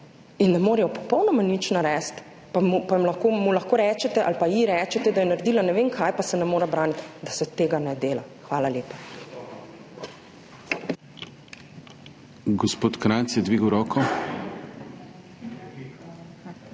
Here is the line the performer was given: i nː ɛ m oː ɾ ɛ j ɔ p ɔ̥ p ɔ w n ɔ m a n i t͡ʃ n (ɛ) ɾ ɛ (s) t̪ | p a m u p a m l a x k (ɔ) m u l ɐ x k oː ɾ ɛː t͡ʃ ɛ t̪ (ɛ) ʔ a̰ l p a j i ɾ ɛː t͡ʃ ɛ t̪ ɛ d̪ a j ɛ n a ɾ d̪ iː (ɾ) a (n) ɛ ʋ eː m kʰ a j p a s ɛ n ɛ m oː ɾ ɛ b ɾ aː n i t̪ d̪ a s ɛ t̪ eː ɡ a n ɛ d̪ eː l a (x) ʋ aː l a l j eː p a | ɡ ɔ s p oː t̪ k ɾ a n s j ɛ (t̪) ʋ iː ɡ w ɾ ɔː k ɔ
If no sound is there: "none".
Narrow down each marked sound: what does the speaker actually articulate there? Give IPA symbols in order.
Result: a, s, o, ɛ, l, n, x, d̪

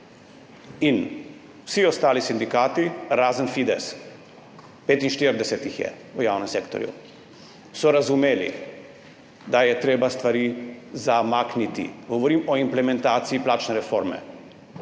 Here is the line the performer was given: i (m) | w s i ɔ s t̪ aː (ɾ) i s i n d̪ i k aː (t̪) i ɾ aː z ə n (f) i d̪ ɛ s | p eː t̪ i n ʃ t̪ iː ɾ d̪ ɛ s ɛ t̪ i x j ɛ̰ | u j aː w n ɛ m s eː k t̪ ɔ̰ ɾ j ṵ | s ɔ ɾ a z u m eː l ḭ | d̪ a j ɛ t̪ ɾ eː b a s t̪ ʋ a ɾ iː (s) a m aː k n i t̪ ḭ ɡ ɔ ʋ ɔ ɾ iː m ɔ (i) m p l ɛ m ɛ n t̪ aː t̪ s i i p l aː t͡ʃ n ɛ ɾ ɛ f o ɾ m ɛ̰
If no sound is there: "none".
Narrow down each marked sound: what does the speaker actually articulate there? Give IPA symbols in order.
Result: n, l, t̪, f, z, i

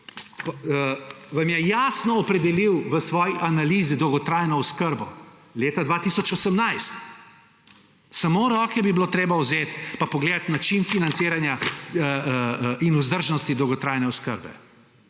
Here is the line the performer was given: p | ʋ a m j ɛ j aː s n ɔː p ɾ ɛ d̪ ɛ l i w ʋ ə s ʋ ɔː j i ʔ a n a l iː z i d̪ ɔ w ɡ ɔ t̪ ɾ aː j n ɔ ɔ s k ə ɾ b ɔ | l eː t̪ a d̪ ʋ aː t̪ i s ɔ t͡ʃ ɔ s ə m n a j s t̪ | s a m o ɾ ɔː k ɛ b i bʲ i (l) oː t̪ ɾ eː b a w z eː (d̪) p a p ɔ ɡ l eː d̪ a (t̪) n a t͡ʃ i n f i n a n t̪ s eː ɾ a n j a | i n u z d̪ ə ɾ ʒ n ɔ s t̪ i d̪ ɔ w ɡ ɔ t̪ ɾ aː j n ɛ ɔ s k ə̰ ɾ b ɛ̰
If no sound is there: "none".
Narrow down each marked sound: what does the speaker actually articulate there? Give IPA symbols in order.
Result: l, t̪, t̪

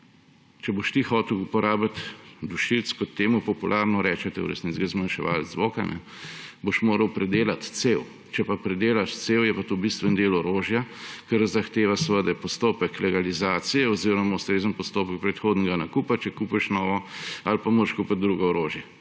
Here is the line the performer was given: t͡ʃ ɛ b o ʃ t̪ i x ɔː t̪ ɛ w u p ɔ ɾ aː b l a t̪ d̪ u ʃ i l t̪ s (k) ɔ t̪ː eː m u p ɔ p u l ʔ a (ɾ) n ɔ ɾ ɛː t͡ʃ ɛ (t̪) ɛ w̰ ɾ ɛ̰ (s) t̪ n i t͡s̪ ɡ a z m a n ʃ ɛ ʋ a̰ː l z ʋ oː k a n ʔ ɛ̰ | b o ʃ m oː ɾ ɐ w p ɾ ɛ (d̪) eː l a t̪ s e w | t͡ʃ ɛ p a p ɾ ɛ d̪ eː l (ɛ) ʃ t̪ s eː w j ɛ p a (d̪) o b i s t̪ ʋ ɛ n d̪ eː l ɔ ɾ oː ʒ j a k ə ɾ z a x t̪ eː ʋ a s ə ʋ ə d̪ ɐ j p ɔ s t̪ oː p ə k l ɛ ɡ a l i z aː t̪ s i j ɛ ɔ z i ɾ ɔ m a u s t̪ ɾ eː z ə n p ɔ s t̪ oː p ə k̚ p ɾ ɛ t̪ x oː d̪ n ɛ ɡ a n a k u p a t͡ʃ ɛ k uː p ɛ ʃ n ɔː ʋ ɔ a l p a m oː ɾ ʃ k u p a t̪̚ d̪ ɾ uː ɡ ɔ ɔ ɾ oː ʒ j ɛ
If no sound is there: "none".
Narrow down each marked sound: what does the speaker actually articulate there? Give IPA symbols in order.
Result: k, ɾ, t̪, s, d̪, a, t̪

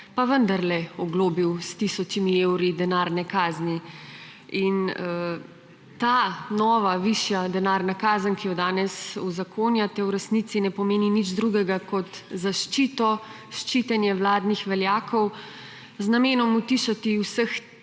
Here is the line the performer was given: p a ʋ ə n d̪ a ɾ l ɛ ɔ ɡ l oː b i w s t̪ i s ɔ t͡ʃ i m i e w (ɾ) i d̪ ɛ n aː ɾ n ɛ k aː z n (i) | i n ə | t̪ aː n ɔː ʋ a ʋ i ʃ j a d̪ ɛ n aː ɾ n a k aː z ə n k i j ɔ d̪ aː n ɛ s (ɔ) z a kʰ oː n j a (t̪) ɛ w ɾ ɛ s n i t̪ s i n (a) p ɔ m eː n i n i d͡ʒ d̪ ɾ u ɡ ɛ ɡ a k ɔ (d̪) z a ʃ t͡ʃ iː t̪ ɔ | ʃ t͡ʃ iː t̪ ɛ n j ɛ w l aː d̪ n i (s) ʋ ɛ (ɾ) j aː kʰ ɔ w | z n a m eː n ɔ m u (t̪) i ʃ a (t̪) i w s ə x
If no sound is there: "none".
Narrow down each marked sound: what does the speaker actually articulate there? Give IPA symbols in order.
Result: ɾ, i, u, t̪, ɛ, t̪, x, l, t̪, t̪

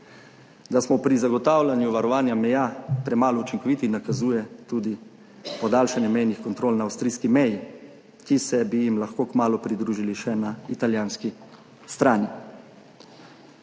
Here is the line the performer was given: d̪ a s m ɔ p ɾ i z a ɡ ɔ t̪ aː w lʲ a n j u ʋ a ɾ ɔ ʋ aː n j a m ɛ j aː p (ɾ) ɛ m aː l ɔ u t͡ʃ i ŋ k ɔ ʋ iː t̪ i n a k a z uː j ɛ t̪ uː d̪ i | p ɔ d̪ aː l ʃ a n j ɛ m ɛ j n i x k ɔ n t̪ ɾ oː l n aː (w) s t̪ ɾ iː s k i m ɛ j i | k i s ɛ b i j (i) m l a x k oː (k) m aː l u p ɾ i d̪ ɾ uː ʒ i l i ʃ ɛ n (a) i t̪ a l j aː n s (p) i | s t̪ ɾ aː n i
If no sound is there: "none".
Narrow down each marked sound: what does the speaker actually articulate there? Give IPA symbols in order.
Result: ɾ, w, i, k, a, k

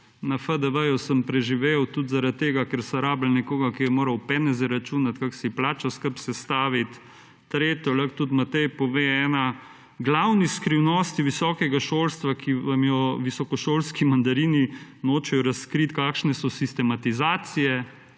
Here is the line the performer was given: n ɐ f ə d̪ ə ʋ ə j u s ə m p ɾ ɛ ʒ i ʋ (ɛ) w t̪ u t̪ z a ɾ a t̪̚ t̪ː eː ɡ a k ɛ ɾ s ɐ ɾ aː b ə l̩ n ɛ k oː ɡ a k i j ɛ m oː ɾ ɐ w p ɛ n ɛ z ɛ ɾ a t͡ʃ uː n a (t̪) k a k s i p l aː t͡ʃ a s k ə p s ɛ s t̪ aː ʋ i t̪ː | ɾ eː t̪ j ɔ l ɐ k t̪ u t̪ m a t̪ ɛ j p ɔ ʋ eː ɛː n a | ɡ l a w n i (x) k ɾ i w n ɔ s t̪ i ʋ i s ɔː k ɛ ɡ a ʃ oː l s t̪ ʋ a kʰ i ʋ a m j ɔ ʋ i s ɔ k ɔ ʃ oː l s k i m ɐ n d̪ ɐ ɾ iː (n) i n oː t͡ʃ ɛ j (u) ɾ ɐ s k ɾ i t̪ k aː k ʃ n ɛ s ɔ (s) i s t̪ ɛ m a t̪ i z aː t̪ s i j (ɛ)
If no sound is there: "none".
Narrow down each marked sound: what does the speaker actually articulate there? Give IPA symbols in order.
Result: e, t̪, s, n, ɔ, s, ɛ

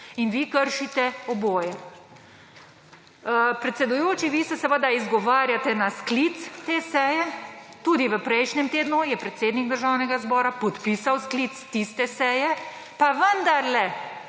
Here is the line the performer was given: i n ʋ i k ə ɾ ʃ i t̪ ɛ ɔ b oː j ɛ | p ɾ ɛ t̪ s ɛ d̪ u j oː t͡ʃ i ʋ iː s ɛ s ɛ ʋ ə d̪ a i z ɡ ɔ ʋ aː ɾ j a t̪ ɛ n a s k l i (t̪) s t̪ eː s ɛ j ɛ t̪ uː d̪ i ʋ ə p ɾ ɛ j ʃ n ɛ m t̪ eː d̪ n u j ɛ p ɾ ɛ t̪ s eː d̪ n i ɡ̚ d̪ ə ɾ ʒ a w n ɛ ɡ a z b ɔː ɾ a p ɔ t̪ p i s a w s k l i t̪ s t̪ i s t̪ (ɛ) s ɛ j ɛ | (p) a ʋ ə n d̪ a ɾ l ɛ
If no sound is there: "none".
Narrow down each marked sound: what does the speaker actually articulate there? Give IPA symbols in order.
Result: t̪, ɛ, p

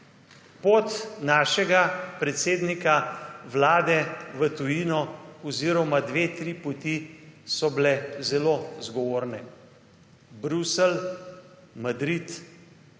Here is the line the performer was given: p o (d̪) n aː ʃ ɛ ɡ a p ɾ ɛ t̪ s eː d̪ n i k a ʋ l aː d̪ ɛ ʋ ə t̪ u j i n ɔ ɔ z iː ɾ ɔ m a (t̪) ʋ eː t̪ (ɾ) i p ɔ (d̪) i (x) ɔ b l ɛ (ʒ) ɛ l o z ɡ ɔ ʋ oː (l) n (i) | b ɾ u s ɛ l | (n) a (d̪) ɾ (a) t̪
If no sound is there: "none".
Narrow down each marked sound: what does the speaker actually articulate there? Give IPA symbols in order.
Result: t̪, d̪, ɾ, t̪, s, z, ɾ, ɛ, m, d̪, i

